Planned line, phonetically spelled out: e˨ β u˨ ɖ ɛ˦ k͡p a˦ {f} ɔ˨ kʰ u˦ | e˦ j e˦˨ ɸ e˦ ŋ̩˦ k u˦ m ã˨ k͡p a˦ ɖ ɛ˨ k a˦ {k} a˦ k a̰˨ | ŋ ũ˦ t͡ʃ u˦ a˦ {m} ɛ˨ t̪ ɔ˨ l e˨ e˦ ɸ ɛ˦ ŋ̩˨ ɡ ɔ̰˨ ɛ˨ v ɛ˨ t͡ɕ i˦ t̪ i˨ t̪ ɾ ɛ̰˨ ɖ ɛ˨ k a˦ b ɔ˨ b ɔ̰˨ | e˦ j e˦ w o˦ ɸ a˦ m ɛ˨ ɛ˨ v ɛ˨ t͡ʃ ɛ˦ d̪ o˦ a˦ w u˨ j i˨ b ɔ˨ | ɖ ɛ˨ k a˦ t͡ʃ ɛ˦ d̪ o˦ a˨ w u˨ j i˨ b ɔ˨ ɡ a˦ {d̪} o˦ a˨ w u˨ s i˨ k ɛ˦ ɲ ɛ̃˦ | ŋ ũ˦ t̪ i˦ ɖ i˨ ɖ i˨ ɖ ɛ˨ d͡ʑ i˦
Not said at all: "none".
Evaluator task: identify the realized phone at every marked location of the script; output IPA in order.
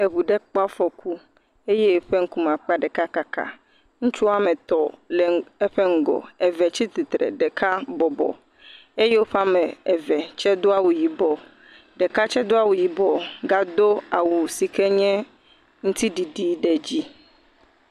f, k, m, d̪

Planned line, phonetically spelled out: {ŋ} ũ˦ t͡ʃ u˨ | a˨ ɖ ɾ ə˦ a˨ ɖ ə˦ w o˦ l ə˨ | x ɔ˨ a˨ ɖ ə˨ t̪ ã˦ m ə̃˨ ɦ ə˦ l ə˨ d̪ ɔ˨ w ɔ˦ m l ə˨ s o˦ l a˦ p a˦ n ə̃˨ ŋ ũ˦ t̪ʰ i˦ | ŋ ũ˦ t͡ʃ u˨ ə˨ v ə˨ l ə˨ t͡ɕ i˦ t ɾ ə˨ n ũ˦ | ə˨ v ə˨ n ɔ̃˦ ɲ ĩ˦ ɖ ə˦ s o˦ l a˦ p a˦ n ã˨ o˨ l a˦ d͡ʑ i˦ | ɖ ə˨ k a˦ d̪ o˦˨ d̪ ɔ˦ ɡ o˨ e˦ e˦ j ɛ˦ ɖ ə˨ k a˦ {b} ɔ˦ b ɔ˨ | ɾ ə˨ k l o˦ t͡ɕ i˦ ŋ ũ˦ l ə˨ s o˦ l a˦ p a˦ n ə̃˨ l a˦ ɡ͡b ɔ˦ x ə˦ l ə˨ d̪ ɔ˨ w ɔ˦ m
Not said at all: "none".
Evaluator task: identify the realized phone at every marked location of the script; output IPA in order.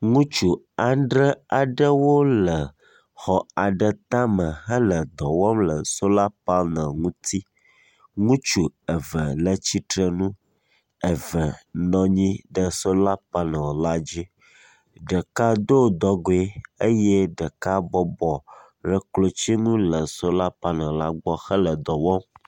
ŋ, b

